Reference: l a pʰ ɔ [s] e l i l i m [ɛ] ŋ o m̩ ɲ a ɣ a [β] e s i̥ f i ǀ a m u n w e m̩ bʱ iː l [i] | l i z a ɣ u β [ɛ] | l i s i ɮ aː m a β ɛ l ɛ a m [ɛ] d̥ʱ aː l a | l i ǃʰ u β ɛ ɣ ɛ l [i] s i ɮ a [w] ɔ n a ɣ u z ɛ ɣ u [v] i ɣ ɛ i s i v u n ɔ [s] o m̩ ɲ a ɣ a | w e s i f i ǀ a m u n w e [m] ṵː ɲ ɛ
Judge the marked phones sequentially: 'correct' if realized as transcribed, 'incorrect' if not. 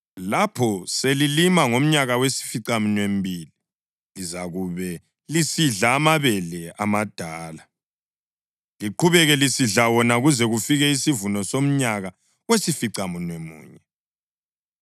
correct, incorrect: a, incorrect: w, correct, correct, incorrect: a, correct, correct, incorrect: f, correct, correct

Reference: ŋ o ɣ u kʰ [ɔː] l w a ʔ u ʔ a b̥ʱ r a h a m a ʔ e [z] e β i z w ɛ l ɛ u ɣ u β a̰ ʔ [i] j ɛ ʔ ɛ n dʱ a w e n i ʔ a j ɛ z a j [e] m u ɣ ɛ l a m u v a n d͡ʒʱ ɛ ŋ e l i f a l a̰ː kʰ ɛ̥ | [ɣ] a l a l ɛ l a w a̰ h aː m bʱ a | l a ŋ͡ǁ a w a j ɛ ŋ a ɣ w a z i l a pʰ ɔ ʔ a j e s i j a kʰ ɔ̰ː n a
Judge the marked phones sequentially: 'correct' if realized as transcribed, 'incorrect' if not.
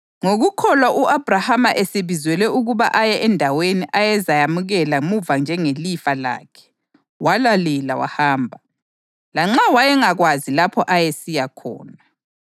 incorrect: ɔ, incorrect: s, incorrect: a, incorrect: a, incorrect: w

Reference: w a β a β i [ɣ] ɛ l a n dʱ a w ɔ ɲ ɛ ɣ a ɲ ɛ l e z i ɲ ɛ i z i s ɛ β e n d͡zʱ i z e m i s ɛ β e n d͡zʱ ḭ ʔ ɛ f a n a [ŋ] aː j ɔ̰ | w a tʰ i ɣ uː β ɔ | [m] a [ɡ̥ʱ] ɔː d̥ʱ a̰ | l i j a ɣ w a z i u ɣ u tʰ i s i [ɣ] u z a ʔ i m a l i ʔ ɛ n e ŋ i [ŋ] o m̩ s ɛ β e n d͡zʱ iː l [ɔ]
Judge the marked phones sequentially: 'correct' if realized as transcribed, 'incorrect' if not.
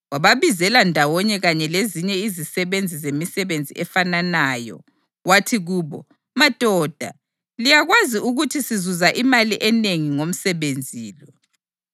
incorrect: z, incorrect: n, correct, incorrect: d̥ʱ, incorrect: z, correct, correct

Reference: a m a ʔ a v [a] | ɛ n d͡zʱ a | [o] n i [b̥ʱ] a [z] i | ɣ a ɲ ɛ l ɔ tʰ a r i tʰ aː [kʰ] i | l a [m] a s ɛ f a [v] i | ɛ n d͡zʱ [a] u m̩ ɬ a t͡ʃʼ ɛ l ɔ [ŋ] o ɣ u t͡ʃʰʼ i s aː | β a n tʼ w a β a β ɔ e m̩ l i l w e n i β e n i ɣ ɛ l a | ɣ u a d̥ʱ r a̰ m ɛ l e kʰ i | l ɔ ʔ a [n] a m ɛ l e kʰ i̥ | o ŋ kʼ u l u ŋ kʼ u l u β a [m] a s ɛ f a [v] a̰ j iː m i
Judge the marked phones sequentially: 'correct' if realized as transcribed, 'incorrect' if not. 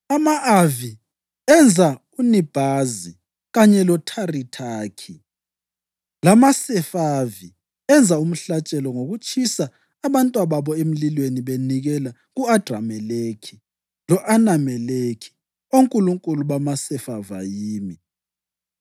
incorrect: i, incorrect: u, correct, correct, correct, correct, correct, correct, correct, correct, correct, correct

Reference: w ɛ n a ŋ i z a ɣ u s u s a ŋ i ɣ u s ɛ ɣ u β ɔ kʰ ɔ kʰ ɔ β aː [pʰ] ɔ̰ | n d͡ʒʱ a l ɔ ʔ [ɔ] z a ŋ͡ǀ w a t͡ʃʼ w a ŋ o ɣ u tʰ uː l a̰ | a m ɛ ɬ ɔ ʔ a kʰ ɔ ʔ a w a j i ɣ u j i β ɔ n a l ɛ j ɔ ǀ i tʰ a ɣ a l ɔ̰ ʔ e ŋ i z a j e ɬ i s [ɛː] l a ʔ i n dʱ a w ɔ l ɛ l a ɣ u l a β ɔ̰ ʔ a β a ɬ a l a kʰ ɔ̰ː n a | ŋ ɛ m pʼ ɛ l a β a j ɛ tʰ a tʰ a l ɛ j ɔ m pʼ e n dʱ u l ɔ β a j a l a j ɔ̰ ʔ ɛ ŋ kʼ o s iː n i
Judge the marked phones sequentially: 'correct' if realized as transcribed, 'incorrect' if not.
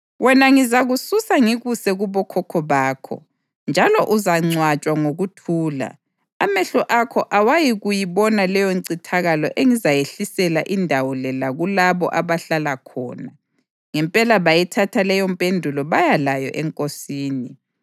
incorrect: kʰ, incorrect: u, incorrect: ɛ

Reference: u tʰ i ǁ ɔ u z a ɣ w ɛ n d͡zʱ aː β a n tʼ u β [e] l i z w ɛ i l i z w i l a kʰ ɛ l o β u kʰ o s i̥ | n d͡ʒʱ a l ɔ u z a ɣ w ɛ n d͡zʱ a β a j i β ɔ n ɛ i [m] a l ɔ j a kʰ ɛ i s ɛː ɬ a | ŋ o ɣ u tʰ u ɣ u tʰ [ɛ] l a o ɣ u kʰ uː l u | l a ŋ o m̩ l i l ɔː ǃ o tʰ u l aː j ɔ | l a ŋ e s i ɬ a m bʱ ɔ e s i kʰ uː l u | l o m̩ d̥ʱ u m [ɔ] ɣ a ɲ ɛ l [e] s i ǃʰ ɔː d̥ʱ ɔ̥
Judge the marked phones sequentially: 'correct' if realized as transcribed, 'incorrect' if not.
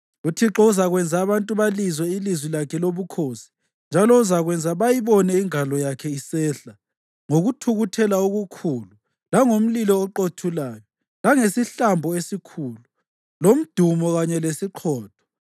incorrect: a, incorrect: ŋ, correct, correct, correct

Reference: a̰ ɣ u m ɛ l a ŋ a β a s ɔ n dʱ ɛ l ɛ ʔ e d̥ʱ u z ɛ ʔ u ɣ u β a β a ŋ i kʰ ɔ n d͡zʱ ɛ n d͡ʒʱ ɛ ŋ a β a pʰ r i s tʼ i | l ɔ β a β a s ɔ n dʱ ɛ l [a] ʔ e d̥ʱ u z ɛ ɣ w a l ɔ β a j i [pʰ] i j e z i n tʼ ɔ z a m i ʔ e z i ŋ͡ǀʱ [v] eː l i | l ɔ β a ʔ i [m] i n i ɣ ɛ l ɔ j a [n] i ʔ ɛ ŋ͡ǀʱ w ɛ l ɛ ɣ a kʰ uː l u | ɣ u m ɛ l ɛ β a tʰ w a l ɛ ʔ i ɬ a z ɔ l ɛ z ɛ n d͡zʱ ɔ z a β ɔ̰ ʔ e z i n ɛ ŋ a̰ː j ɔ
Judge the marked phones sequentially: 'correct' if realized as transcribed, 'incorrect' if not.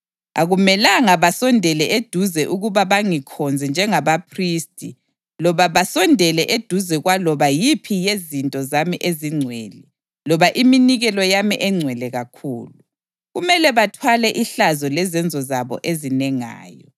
incorrect: ɛ, correct, incorrect: w, correct, incorrect: m

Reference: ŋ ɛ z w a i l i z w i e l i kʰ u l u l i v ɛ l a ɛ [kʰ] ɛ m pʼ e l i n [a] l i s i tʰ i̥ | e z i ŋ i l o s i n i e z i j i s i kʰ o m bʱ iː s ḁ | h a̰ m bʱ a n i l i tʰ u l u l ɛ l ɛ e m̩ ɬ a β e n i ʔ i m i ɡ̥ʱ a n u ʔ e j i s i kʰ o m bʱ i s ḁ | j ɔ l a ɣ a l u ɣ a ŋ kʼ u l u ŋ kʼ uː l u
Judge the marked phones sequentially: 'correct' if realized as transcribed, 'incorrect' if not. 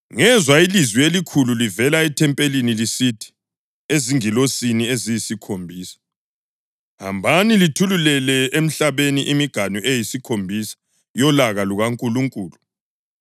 incorrect: tʰ, incorrect: i

